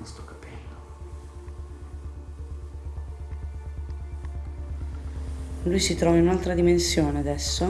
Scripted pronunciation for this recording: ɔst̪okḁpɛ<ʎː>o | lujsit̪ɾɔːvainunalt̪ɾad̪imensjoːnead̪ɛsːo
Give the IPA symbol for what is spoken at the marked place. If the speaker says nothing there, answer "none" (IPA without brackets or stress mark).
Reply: lː